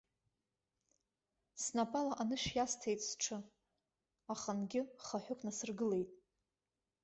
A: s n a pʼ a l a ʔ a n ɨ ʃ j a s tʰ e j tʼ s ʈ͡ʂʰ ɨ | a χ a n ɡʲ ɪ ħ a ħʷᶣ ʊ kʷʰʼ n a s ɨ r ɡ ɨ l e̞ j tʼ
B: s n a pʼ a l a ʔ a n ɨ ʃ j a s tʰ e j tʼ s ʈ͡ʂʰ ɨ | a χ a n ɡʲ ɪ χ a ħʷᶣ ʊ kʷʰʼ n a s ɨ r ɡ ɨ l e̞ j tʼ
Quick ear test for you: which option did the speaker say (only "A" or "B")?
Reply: B